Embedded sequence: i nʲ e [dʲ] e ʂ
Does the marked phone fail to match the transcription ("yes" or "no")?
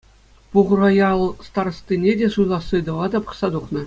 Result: no